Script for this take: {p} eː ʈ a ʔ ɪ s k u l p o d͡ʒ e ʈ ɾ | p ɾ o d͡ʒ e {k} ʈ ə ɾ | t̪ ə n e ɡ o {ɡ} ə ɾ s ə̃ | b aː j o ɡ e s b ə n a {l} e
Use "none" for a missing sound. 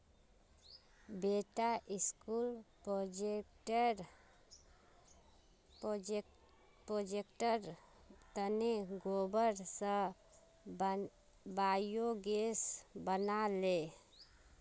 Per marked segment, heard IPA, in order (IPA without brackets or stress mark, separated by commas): b, k, b, l